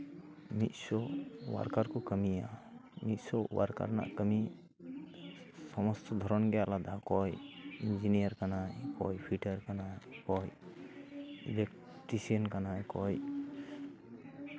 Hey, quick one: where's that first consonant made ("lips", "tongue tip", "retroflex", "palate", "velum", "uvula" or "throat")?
lips